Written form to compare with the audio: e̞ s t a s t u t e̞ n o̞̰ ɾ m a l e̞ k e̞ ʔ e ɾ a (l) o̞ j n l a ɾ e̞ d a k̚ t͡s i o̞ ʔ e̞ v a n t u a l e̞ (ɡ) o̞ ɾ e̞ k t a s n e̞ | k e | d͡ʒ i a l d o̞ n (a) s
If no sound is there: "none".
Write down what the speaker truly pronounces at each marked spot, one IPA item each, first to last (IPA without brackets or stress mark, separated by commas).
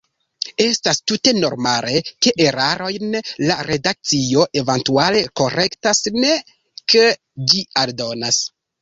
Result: ɾ, k, a